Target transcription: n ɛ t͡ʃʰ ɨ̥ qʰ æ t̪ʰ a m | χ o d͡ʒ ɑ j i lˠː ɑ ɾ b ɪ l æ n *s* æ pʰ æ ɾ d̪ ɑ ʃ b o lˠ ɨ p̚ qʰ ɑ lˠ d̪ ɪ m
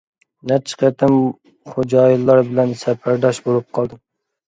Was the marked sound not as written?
no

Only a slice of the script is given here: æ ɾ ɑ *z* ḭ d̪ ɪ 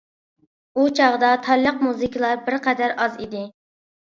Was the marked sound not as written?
no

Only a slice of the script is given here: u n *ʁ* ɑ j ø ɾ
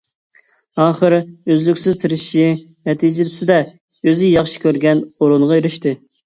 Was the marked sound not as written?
no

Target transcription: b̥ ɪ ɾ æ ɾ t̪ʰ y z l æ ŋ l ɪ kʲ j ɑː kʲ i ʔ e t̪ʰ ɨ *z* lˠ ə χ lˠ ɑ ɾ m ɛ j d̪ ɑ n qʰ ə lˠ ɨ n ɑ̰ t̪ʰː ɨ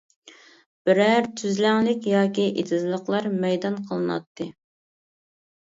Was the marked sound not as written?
no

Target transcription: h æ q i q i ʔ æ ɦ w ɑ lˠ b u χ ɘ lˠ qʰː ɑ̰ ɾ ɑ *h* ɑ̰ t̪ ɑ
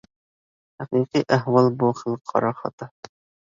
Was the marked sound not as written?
yes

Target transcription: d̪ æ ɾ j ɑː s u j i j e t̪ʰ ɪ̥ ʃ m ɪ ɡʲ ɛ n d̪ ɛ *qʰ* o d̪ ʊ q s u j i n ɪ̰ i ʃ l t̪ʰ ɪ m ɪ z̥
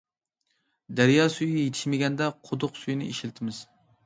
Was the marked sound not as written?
no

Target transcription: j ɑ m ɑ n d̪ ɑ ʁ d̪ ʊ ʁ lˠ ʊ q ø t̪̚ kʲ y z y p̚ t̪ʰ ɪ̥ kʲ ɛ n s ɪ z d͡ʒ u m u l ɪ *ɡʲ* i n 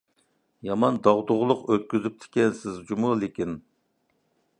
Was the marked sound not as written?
yes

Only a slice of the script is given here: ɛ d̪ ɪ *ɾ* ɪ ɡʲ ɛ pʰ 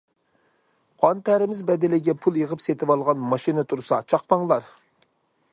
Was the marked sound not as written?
yes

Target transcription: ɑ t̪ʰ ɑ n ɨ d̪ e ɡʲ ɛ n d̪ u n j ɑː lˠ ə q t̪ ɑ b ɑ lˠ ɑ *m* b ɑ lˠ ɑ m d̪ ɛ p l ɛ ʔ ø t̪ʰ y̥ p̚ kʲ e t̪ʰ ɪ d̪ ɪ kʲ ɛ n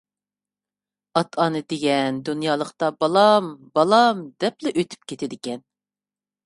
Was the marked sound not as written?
no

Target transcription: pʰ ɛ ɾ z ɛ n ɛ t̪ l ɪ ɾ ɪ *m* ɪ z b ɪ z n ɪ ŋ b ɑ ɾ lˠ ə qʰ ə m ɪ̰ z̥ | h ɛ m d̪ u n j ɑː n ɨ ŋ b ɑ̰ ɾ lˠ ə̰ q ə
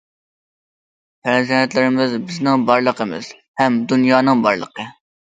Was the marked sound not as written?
no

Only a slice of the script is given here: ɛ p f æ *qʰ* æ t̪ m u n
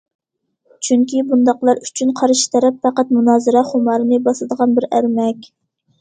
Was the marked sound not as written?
yes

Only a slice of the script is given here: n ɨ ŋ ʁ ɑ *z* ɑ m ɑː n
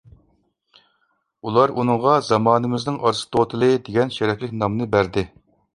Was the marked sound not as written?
no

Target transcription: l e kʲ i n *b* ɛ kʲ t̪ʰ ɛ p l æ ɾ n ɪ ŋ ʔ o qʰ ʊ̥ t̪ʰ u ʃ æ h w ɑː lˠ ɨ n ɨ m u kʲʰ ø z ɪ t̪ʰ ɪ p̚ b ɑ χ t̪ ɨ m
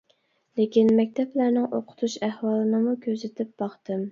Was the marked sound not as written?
yes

